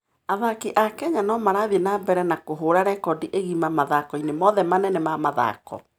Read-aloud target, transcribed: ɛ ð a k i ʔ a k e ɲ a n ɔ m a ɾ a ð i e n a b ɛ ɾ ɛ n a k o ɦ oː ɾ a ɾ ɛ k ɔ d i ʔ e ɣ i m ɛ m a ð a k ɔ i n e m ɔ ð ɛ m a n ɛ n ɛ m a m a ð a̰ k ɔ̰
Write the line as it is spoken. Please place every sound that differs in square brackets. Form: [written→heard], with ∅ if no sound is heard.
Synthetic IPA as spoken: [ɛ→a] ð a k i ʔ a k [e→ɛ] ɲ a n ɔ m a ɾ a ð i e n a b ɛ ɾ ɛ n a k o ɦ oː ɾ a ɾ ɛ k ɔ d i ʔ e ɣ i m [ɛ→a] m a ð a k ɔ i n e m ɔ ð ɛ m a n ɛ n ɛ m a m a ð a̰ k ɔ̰